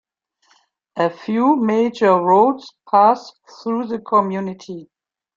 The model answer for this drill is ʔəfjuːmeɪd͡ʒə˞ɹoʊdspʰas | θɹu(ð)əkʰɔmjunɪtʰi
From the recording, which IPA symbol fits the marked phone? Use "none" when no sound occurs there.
ð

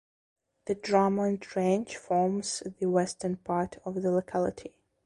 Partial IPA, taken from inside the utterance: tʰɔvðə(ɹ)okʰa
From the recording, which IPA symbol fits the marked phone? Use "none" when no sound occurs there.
l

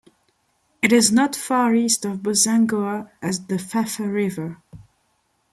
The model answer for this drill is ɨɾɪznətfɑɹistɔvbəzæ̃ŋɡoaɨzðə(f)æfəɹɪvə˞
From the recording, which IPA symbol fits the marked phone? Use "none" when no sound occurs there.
f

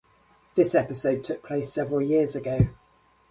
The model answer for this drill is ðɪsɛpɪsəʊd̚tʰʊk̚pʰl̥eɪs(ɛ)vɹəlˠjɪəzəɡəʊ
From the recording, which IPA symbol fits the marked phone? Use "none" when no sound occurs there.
ɛ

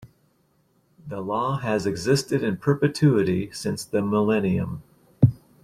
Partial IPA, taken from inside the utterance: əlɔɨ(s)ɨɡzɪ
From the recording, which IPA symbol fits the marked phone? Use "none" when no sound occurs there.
z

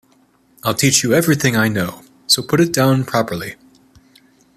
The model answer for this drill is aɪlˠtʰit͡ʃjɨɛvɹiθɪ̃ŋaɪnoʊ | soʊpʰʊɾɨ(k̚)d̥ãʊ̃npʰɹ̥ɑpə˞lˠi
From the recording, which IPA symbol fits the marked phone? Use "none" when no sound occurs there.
t̚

